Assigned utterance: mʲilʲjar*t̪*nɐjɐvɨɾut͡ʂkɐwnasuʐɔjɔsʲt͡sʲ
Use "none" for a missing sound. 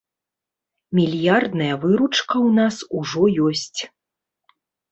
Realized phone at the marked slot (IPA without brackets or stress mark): d̪